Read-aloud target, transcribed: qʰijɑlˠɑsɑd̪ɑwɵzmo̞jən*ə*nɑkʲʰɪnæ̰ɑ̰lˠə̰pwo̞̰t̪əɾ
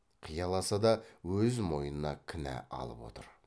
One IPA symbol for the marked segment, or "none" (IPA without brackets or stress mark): ə